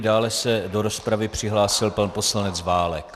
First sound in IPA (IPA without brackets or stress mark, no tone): d